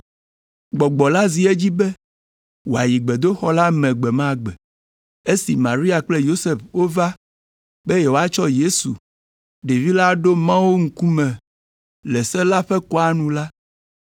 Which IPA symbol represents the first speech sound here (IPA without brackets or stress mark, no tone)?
ɡ͡b